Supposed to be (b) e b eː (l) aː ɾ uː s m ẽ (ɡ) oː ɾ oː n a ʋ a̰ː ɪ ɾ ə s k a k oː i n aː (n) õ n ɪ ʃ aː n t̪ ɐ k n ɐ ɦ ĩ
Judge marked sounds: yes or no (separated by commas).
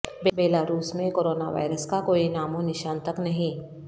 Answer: yes, yes, no, no